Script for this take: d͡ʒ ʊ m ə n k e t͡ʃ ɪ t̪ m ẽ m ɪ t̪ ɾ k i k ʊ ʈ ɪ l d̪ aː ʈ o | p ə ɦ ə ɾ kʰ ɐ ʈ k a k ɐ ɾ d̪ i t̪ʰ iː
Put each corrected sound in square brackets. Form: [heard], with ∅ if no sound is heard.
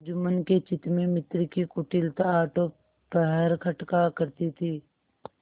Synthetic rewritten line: d͡ʒ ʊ m ə n k e t͡ʃ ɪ t̪ m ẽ m ɪ t̪ ɾ k i k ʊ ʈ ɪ l [t̪] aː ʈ o | p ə ɦ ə ɾ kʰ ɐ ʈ k a k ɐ ɾ [t̪] i t̪ʰ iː